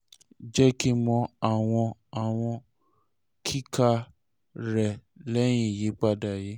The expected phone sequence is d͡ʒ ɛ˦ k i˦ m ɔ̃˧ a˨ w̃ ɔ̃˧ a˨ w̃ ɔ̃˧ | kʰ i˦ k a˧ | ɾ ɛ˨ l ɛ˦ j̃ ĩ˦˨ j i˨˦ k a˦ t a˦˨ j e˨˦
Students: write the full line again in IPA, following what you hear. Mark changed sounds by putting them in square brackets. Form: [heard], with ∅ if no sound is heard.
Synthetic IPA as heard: d͡ʒ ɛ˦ k i˦ m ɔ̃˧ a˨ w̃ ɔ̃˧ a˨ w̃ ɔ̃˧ | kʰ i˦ k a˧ | ɾ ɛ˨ l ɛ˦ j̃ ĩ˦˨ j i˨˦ [k͡p] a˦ [d] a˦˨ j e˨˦